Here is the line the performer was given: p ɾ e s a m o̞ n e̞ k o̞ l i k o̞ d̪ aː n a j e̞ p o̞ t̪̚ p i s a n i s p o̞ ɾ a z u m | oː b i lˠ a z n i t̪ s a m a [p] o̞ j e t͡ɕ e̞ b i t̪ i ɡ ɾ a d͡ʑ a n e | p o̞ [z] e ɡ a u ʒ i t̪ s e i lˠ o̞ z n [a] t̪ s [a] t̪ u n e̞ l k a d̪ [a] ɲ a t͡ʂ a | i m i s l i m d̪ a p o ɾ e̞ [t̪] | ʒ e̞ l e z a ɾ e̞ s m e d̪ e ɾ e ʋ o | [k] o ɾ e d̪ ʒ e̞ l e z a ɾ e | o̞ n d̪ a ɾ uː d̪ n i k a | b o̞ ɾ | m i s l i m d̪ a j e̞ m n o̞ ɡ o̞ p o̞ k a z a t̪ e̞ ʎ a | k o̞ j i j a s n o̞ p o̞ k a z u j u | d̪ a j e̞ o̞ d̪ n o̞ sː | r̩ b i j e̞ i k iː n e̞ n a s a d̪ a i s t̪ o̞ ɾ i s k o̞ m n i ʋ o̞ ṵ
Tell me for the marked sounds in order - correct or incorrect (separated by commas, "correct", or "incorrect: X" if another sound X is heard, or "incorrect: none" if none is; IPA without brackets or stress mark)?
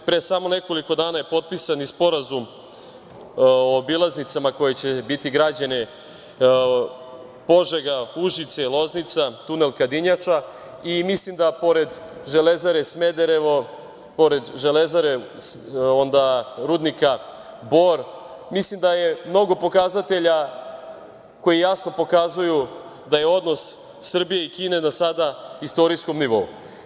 incorrect: k, incorrect: ʒ, incorrect: i, correct, incorrect: i, incorrect: d̪, incorrect: p